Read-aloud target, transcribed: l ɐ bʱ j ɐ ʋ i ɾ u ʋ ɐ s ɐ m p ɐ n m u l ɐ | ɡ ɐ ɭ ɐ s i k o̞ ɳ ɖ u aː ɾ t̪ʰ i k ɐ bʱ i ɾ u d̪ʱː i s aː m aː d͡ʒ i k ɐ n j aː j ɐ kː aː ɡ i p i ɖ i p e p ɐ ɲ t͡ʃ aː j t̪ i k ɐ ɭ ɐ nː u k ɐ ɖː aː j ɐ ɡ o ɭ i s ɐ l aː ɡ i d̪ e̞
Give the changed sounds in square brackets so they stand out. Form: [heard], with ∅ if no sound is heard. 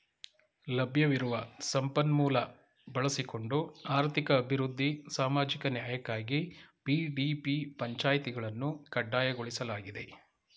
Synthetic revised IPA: l ɐ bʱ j ɐ ʋ i ɾ u ʋ ɐ s ɐ m p ɐ n m [uː] l ɐ | [b] ɐ ɭ ɐ s i k o̞ ɳ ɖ u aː ɾ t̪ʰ i k [ɐː] bʱ i ɾ u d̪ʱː i s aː m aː d͡ʒ i k ɐ n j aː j ɐ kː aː ɡ i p i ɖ i p [i] p ɐ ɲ t͡ʃ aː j t̪ i [ɡ] ɐ ɭ ɐ nː u k ɐ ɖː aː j ɐ ɡ o ɭ i s ɐ l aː ɡ i d̪ e̞